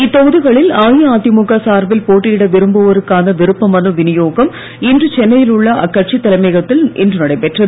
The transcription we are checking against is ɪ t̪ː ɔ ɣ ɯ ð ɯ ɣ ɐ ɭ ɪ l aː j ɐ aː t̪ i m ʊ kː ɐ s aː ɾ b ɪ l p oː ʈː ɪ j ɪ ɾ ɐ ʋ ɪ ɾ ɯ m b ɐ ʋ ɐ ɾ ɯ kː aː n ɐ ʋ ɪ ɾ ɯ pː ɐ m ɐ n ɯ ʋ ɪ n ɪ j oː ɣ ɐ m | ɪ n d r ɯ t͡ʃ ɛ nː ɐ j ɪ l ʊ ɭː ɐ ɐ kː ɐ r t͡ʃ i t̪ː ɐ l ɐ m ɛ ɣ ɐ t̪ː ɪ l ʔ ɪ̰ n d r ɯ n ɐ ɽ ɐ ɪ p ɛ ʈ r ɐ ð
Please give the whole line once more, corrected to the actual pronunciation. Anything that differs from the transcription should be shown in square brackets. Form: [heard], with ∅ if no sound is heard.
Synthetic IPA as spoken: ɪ t̪ː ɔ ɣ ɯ ð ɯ ɣ ɐ ɭ ɪ l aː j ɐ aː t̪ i m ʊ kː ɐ s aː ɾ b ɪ l p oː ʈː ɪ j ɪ [ɽ] ɐ ʋ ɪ ɾ ɯ m b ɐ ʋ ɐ ɾ ɯ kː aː n ɐ ʋ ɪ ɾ ɯ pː ɐ m ɐ n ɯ ʋ ɪ n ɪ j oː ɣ ɐ m | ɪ n d r ɯ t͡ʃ ɛ nː ɐ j ɪ l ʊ ɭː ɐ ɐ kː ɐ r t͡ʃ i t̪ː ɐ l ɐ m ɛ ɣ ɐ t̪ː ɪ l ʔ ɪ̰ n d r ɯ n ɐ ɽ ɐ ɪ p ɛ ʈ r ɐ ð